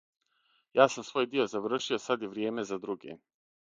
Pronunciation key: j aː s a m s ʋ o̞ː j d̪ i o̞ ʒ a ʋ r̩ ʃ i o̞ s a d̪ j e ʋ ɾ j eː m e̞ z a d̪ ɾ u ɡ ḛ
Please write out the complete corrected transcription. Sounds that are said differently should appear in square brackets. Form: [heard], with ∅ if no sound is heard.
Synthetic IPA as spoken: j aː s a m s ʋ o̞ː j d̪ i o̞ [z] a ʋ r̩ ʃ i o̞ s a d̪ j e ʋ ɾ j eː m e̞ z a d̪ ɾ u ɡ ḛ

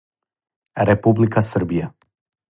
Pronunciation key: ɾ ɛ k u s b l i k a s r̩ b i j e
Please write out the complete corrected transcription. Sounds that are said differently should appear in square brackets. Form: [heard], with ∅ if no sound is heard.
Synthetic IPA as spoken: ɾ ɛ [p] u [∅] b l i k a s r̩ b i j [a]

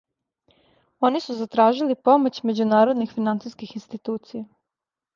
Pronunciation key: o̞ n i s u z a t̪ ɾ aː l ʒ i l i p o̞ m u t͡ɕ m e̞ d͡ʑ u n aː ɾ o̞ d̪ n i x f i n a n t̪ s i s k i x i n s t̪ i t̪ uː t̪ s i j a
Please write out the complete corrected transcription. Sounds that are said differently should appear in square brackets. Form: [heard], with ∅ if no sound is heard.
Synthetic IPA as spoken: o̞ n i s u z a t̪ ɾ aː [∅] ʒ i l i p o̞ m [o] t͡ɕ m e̞ d͡ʑ u n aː ɾ o̞ d̪ n i x f i n a n t̪ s i s k i x i n s t̪ i t̪ uː t̪ s i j a

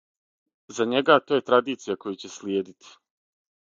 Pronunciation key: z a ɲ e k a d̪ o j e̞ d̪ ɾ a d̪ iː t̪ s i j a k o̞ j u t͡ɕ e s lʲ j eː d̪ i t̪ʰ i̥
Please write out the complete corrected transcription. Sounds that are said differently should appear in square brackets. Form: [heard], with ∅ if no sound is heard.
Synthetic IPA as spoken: z a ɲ e [ɡ] a [t̪] o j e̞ [t̪] ɾ a d̪ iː t̪ s i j a k o̞ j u t͡ɕ e s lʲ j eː d̪ i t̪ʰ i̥

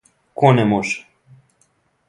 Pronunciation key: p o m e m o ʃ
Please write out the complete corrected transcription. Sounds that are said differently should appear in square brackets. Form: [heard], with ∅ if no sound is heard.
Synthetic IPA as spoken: [k] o [n] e m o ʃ

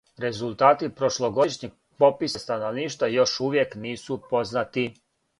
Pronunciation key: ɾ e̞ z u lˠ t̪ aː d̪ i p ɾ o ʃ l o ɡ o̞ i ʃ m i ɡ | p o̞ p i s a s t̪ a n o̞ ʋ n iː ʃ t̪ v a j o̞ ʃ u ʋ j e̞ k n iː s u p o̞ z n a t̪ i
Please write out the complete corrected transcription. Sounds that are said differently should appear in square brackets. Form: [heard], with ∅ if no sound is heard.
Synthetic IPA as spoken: ɾ e̞ z u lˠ t̪ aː [t̪] i p ɾ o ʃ l o ɡ o̞ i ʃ [ɲ] i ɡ | p o̞ p i s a s t̪ a n o̞ ʋ n iː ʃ t̪ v a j o̞ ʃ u ʋ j e̞ k n iː s u p o̞ z n a t̪ i

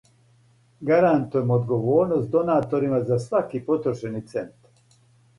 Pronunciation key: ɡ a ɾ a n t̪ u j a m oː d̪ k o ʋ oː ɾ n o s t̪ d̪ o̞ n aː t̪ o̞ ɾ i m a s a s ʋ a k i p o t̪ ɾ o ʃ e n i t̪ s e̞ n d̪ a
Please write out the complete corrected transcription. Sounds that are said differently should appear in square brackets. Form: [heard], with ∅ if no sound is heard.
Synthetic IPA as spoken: ɡ a ɾ a n t̪ u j [e] m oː d̪ [ɡ] o ʋ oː ɾ n o s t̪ d̪ o̞ n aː t̪ o̞ ɾ i m a [z] a s ʋ a k i p o t̪ ɾ o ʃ e n i t̪ s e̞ n [t̪] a

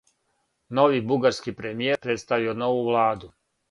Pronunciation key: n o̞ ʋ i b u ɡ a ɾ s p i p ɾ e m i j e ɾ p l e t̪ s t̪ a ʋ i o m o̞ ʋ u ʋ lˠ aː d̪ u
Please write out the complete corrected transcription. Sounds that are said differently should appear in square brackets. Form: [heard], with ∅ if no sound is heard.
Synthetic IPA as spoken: n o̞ ʋ i b u ɡ a ɾ s [k] i p ɾ e m i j e ɾ p [ɾ] e t̪ s t̪ a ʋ i o [n] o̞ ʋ u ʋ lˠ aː d̪ u

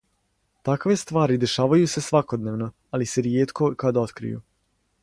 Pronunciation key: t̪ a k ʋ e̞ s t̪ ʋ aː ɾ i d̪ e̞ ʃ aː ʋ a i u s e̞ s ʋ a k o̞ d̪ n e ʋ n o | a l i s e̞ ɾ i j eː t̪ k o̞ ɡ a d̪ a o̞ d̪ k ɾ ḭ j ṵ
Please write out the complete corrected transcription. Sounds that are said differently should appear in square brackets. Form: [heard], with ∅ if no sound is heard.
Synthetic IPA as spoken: t̪ a k ʋ e̞ s t̪ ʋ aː ɾ i d̪ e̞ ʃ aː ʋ a [j] u s e̞ s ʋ a k o̞ d̪ n e ʋ n o | a l i s e̞ ɾ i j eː t̪ k o̞ [k] a d̪ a o̞ [t̪] k ɾ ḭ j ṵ

